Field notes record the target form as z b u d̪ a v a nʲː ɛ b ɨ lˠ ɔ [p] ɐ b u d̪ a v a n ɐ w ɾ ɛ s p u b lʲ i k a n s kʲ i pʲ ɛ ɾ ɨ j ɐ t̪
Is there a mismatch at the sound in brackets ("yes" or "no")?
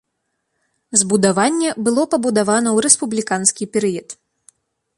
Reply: no